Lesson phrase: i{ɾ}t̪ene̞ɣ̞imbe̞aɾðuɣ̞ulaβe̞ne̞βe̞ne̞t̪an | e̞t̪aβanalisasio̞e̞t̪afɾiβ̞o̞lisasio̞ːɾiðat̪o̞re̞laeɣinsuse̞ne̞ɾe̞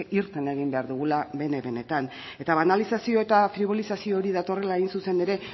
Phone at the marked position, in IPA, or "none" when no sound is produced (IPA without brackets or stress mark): ɾ